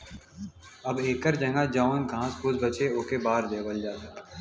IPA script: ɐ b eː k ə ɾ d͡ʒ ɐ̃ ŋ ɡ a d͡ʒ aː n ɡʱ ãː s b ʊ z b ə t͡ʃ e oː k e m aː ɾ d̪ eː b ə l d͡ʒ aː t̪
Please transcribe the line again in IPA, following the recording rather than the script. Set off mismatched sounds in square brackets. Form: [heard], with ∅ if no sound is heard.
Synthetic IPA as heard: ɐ b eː k ə ɾ d͡ʒ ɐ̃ ŋ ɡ a d͡ʒ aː n ɡʱ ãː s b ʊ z b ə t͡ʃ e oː k e [b] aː ɾ d̪ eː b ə l d͡ʒ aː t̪